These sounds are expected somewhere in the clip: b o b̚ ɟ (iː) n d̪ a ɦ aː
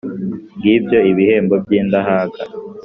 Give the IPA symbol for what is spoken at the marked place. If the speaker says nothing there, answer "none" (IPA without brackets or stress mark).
iː